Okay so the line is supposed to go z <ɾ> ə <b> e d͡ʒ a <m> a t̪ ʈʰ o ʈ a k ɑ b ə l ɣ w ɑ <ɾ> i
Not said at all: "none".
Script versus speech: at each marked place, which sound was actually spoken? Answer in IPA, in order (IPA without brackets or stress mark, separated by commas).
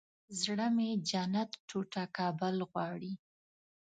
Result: ɽ, m, n, ɽ